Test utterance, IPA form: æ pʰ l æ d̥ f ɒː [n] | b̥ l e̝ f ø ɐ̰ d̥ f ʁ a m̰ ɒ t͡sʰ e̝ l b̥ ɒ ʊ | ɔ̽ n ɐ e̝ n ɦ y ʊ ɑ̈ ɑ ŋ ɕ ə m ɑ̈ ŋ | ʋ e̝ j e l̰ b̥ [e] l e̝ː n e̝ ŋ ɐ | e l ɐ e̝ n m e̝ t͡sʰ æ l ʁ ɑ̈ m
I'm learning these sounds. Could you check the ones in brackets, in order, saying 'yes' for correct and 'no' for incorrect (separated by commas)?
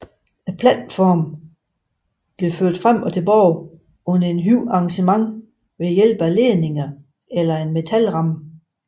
no, no